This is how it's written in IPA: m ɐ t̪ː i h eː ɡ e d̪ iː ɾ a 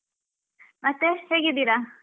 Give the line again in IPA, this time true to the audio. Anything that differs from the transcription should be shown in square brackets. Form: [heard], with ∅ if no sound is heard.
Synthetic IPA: m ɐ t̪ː [e] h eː ɡ [i] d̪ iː ɾ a